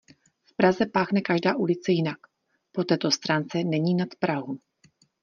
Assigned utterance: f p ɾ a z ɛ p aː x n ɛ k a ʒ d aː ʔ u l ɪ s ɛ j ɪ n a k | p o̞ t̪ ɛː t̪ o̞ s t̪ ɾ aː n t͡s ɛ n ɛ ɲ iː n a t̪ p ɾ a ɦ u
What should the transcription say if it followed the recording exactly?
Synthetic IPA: f p ɾ a z ɛ p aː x n ɛ k a ʒ d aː ʔ u l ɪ t͡s ɛ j ɪ n a k | p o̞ t̪ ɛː t̪ o̞ s t̪ ɾ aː n t͡s ɛ n ɛ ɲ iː n a t̪ p ɾ a ɦ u